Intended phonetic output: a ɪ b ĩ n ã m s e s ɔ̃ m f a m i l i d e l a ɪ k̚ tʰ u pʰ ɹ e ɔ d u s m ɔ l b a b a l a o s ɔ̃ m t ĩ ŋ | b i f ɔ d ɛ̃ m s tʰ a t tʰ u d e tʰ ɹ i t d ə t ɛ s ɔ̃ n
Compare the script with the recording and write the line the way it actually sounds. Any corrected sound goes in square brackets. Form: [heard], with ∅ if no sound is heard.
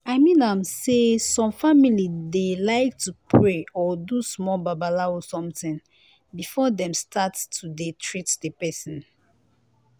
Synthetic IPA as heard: a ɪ [m] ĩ n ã m s e s ɔ̃ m f a m i l i d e l a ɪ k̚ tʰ u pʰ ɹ e ɔ d u s m ɔ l b a b a l a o s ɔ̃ m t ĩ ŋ | b i f ɔ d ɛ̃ m s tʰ a t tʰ u d e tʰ ɹ i t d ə [p] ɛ s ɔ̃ n